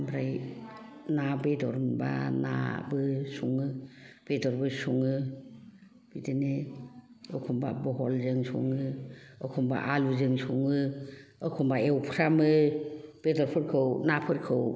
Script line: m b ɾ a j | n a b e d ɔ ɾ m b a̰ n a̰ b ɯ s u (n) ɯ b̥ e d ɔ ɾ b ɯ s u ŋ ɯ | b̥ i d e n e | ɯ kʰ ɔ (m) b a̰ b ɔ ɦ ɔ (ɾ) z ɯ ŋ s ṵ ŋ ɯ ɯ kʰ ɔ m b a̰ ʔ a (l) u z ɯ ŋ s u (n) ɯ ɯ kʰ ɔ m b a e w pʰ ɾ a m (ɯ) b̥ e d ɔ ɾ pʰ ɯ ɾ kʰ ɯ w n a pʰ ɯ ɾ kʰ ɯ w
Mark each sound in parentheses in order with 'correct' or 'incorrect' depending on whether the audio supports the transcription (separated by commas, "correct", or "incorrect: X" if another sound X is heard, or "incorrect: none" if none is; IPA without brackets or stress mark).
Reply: incorrect: ŋ, correct, incorrect: l, correct, incorrect: ŋ, correct